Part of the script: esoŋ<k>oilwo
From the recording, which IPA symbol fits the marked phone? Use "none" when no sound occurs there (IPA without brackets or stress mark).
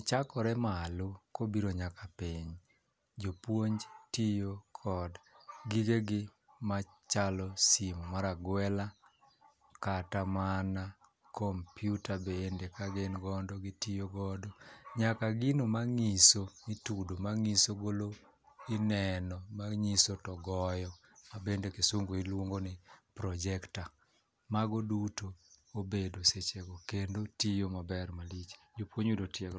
ɡ